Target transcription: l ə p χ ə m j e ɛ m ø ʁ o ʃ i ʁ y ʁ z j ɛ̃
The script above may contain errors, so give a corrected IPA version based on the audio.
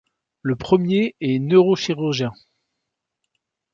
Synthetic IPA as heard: l ə p χ ə m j e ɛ n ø ʁ o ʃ i ʁ y ʁ ʒ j ɛ̃